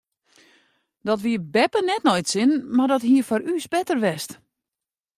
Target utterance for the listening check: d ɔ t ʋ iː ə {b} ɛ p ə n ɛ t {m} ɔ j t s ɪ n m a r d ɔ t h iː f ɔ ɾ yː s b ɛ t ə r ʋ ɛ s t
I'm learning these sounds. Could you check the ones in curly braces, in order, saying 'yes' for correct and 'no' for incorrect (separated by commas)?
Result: yes, no